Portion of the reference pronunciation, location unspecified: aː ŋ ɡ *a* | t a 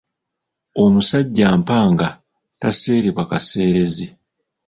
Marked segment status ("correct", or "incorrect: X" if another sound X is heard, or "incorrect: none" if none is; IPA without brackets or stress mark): correct